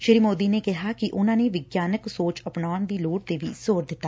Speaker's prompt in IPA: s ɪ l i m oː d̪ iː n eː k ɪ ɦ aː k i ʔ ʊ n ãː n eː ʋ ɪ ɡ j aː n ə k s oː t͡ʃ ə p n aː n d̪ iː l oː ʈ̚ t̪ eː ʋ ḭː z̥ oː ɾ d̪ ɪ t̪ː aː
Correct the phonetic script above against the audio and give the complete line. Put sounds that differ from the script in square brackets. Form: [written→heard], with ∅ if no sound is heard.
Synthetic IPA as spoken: [s→ʃ] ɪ [l→ɾ] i m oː d̪ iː n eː k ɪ ɦ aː k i ʔ ʊ n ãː n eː ʋ ɪ ɡ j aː n ə k s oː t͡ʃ ə p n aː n d̪ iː l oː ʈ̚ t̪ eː ʋ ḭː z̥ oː ɾ d̪ ɪ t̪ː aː